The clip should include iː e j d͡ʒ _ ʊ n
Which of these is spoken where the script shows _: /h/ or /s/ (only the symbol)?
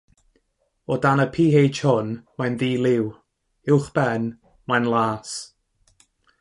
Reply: h